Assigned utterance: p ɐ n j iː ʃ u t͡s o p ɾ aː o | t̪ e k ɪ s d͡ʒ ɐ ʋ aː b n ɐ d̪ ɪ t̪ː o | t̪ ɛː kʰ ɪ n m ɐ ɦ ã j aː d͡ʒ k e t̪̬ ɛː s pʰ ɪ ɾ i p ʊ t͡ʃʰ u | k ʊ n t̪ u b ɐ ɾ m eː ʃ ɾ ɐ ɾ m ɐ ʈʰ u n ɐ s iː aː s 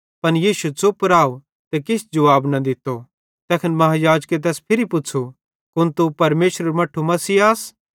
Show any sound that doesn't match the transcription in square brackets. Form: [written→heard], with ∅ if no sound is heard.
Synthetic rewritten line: p ɐ n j iː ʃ u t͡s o p ɾ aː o | t̪ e k ɪ s d͡ʒ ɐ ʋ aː b n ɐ d̪ ɪ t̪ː o | t̪ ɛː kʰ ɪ n m ɐ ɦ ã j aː d͡ʒ k e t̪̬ ɛː s pʰ ɪ ɾ i p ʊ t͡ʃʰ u | k ʊ n t̪ u [b→p] ɐ ɾ m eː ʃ ɾ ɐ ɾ m ɐ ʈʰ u [n→m] ɐ s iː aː s